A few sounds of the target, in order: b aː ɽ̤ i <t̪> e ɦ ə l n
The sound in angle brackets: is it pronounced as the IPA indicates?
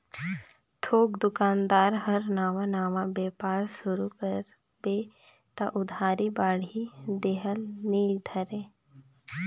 no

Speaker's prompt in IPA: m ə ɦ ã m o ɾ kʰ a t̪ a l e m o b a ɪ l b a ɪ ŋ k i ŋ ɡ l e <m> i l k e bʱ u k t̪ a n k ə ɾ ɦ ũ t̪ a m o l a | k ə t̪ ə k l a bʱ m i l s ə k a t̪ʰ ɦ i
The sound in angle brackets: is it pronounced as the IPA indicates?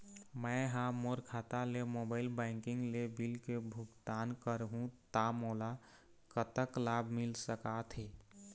no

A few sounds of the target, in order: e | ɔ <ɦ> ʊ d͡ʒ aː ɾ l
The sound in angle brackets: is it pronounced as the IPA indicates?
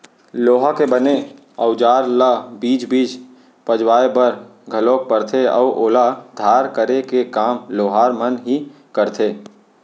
no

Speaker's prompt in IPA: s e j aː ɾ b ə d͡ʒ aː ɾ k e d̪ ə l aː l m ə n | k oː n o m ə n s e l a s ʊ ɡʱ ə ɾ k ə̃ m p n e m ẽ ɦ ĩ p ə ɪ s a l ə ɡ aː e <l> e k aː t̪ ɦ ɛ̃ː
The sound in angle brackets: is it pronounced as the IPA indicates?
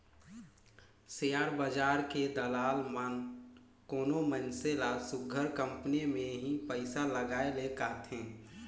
yes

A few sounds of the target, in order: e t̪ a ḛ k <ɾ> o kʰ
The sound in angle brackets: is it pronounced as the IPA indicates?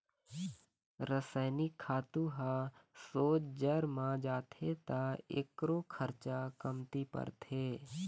yes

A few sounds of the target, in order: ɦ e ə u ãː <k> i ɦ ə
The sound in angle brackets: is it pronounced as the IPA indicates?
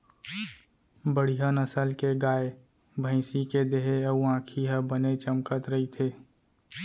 no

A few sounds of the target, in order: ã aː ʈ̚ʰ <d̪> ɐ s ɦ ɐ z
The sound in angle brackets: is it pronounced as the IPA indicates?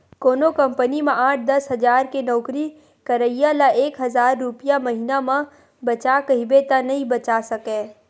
yes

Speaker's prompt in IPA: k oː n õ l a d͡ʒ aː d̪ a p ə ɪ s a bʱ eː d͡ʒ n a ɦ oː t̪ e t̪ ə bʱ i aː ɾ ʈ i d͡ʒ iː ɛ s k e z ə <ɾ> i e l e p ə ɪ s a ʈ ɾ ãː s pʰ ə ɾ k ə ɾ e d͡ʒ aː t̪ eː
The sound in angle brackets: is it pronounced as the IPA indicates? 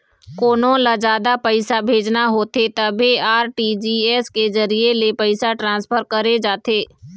yes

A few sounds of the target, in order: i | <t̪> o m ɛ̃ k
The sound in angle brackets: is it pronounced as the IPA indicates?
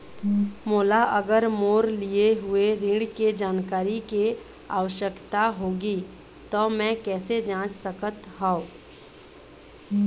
yes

